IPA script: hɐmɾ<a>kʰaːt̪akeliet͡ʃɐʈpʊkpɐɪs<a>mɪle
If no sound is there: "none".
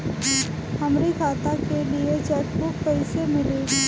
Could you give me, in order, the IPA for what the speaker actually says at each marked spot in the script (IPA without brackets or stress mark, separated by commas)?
i, e